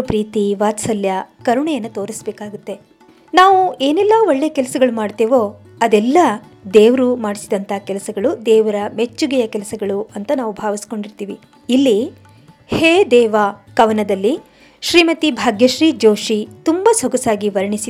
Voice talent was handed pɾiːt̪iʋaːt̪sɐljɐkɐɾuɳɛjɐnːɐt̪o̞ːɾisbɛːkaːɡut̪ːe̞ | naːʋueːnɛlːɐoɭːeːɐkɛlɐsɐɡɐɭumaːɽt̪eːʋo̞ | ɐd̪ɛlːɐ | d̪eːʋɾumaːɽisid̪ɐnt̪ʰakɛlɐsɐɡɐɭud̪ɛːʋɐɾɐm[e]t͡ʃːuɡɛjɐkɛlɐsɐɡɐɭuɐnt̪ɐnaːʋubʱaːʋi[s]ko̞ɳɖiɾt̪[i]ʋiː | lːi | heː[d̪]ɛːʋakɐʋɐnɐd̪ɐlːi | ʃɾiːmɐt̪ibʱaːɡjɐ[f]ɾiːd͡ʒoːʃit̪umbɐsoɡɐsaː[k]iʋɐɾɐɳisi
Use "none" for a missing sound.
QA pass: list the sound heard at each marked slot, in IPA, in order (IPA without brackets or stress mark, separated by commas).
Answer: e, s, iː, d̪, ʃ, ɡ